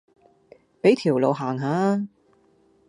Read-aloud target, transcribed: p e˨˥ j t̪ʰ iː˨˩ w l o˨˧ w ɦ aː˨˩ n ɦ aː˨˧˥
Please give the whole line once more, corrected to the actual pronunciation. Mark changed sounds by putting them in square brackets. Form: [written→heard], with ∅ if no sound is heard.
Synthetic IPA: p e˨˥ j t̪ʰ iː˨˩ w l o˨˧ w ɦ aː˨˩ [n→ŋ] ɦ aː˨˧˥